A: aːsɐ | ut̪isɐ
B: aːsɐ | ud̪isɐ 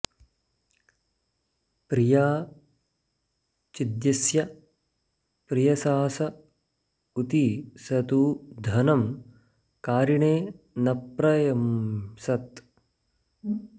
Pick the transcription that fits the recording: A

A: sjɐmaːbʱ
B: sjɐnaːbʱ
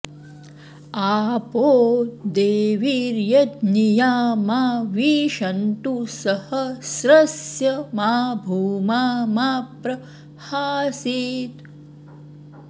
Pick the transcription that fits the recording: A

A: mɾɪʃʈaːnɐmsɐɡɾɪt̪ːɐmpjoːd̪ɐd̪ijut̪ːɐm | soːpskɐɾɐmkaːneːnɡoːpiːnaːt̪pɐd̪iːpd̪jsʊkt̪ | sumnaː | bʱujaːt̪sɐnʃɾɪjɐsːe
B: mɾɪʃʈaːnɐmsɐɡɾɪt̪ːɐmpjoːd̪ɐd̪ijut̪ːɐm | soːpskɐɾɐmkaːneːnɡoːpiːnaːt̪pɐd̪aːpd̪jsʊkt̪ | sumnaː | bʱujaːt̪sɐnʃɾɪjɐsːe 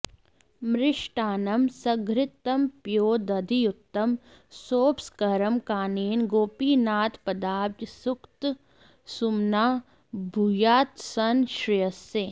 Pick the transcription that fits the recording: B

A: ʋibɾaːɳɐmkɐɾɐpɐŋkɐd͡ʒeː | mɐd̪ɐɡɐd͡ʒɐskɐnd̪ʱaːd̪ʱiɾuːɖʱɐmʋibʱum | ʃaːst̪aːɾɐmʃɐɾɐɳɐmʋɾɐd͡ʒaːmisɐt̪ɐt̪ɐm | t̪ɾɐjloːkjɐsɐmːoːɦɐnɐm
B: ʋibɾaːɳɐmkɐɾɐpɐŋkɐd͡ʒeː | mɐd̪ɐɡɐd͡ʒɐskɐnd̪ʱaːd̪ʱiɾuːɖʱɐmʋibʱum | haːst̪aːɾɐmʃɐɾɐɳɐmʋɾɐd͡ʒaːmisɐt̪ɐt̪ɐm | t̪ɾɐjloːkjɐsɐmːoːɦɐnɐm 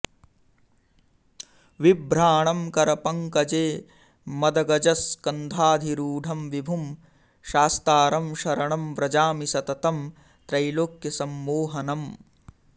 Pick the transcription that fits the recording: A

